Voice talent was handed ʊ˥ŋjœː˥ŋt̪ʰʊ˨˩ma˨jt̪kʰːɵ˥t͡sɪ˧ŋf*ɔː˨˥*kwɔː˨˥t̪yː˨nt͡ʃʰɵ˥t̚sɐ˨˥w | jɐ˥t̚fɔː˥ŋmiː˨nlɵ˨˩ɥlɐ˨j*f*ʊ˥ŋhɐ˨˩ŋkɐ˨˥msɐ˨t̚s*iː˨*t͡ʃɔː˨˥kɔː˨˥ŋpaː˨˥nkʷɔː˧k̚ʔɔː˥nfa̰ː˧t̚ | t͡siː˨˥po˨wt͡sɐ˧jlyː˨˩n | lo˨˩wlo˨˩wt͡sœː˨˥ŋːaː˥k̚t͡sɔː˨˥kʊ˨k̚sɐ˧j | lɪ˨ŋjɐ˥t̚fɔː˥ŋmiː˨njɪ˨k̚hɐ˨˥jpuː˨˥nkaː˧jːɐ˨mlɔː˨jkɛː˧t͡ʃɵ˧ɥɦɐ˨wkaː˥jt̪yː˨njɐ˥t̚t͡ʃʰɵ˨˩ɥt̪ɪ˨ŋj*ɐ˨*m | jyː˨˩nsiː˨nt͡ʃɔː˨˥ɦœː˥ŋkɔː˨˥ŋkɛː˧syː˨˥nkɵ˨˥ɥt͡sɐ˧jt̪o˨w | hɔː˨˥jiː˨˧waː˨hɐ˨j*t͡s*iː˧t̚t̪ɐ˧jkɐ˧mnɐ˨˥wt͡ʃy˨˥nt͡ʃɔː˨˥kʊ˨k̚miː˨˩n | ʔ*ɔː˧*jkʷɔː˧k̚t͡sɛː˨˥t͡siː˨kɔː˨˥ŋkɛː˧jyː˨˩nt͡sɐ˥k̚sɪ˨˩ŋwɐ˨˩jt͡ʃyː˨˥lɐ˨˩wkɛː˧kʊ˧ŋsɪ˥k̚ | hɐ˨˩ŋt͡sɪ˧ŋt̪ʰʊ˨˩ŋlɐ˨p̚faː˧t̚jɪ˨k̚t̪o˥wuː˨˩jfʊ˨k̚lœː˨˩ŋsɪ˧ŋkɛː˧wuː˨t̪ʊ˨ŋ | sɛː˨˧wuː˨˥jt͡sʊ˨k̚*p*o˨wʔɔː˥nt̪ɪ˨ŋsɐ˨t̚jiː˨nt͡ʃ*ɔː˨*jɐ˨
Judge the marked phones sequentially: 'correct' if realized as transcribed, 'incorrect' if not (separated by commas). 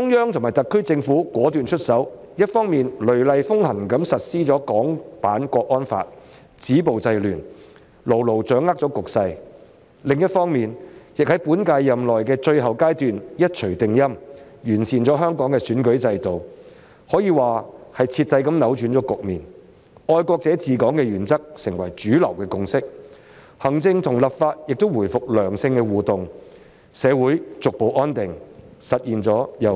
incorrect, correct, incorrect, incorrect, incorrect, correct, correct, incorrect